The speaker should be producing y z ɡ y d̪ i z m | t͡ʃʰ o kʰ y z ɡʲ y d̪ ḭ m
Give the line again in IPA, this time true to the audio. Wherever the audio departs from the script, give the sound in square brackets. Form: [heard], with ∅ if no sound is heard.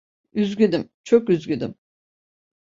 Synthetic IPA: y z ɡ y d̪ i [∅] m | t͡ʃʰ o [k] y z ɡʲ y d̪ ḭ m